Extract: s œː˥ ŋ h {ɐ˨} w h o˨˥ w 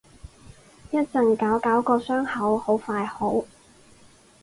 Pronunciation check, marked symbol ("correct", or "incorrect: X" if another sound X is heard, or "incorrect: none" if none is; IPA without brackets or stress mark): incorrect: ɐ˨˥